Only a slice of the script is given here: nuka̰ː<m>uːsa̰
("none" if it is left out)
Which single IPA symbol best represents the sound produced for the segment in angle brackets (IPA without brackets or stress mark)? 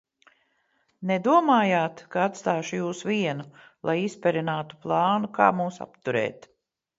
m